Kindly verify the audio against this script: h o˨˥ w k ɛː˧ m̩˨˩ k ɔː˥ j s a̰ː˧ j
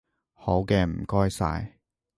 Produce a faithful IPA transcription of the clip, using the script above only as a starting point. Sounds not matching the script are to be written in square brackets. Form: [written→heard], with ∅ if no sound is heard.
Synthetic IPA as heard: h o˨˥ w k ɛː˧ m̩˨˩ k ɔː˥ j s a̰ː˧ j

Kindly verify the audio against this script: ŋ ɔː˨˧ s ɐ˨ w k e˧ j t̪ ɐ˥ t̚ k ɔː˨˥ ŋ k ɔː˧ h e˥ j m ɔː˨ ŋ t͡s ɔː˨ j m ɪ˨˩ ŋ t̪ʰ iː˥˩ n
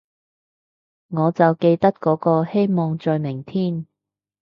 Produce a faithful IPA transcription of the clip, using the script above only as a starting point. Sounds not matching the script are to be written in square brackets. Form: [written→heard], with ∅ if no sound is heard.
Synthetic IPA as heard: ŋ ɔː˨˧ [s→t͡s] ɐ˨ w k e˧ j t̪ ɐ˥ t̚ k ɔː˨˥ [ŋ→∅] k ɔː˧ h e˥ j m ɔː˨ ŋ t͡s ɔː˨ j m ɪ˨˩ ŋ t̪ʰ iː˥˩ n

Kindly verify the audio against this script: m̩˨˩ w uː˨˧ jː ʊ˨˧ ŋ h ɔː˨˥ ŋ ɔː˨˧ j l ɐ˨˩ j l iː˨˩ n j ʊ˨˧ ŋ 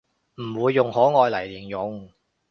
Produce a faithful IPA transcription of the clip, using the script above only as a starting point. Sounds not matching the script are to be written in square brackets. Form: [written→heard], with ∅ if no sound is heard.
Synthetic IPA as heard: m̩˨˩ w uː˨˧ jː ʊ˨˧ ŋ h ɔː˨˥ ŋ ɔː˨˧ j l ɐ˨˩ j l iː˨˩ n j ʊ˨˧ ŋ

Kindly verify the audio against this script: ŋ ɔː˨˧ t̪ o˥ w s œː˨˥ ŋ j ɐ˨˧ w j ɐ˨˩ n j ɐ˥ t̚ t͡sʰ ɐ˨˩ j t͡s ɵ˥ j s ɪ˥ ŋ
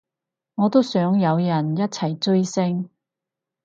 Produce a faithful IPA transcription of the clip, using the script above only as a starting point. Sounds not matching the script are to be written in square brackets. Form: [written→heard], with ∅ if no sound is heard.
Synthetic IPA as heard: ŋ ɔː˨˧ t̪ o˥ w s œː˨˥ ŋ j ɐ˨˧ w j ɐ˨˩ n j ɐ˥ t̚ t͡sʰ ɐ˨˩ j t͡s ɵ˥ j s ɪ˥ ŋ

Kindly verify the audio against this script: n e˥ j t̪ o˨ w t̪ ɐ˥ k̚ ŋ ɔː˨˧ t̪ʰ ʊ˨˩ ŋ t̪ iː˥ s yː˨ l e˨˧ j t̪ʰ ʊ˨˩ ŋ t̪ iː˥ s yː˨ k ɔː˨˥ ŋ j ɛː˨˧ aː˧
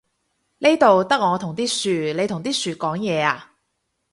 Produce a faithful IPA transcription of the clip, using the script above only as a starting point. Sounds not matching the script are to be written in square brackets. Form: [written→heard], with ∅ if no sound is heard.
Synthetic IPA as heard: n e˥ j t̪ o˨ w t̪ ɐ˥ k̚ ŋ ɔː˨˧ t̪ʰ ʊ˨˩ ŋ t̪ iː˥ s yː˨ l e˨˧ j t̪ʰ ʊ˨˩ ŋ t̪ iː˥ s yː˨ k ɔː˨˥ ŋ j ɛː˨˧ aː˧

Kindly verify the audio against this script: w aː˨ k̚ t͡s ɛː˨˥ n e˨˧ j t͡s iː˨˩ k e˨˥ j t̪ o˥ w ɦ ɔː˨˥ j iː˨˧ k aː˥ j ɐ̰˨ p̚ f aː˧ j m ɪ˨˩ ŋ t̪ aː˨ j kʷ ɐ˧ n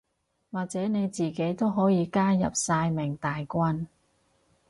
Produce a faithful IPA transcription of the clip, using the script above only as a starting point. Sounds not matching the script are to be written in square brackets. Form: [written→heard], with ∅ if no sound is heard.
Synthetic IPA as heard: w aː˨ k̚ t͡s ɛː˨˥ n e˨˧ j t͡s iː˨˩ k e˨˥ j t̪ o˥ w ɦ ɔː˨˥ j iː˨˧ k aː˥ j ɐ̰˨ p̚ [f→s] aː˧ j m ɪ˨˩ ŋ t̪ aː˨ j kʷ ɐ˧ n

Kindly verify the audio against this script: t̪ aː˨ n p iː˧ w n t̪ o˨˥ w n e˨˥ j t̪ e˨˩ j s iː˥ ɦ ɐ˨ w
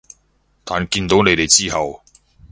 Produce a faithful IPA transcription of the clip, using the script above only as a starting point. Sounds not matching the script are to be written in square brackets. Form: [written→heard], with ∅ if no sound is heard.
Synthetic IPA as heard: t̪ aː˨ n [p→k] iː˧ [w→∅] n t̪ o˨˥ w n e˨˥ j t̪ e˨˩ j [s→t͡s] iː˥ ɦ ɐ˨ w

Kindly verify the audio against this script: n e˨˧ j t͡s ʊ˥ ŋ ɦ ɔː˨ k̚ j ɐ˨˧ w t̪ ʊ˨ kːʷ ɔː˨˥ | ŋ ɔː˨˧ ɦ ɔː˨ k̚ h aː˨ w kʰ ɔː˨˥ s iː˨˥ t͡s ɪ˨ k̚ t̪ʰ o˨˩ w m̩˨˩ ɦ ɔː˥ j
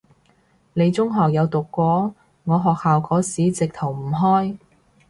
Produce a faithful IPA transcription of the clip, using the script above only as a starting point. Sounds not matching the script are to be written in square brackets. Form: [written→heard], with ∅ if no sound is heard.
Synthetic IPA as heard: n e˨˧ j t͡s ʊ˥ ŋ ɦ ɔː˨ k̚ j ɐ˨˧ w t̪ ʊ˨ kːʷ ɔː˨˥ | ŋ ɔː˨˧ ɦ ɔː˨ k̚ h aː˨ w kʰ ɔː˨˥ s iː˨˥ t͡s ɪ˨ k̚ t̪ʰ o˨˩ w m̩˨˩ ɦ ɔː˥ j

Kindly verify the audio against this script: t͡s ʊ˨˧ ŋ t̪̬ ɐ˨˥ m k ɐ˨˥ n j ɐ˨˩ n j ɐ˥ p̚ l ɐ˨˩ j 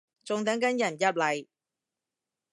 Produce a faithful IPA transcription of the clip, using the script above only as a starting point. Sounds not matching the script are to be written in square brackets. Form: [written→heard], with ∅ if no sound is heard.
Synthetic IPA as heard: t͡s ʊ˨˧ ŋ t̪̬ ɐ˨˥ [m→ŋ] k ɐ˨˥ n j ɐ˨˩ n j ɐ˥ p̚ l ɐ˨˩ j

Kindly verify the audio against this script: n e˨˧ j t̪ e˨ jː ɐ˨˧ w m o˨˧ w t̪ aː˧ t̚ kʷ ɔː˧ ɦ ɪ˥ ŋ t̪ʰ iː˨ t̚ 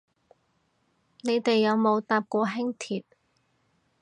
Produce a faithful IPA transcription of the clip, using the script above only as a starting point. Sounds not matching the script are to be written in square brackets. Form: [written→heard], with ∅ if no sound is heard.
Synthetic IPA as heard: n e˨˧ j t̪ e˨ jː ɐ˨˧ w m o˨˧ w t̪ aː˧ [t̚→p̚] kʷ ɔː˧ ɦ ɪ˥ ŋ t̪ʰ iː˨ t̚

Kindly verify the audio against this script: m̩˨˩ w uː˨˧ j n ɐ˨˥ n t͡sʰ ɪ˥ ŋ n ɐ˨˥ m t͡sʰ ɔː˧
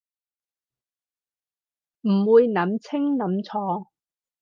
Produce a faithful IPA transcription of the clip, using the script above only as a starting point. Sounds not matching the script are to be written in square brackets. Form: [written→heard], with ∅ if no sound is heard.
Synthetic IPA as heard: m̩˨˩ w uː˨˧ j n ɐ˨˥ [n→m] t͡sʰ ɪ˥ ŋ n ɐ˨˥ m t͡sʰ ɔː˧

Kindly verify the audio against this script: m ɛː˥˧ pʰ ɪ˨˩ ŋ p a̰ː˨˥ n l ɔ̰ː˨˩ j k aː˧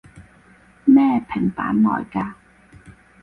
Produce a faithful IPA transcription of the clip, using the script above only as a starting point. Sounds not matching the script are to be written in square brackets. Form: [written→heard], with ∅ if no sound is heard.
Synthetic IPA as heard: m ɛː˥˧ pʰ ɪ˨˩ ŋ p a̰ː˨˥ n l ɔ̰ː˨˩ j k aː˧

